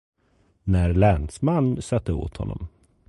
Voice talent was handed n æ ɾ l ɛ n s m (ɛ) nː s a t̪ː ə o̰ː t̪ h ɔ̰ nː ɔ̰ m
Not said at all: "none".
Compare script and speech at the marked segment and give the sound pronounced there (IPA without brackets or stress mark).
a